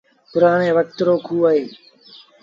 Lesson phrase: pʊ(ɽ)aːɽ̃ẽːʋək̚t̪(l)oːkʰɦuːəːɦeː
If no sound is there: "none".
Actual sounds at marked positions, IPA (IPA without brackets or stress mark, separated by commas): ɾ, ɾ